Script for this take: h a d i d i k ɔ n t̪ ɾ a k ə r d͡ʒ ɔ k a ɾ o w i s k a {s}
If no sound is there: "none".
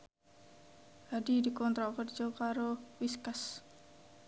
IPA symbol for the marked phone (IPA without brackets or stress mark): s